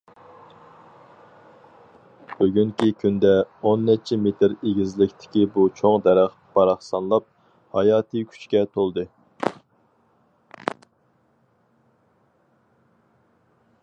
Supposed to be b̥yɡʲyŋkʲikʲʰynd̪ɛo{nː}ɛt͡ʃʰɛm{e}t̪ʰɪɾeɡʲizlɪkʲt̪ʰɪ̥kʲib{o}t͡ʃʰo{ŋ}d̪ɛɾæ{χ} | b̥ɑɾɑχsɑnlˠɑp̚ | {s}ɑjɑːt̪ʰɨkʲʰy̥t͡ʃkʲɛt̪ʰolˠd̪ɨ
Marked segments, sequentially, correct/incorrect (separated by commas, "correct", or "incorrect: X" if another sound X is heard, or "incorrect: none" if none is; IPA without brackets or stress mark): correct, correct, incorrect: u, correct, correct, incorrect: h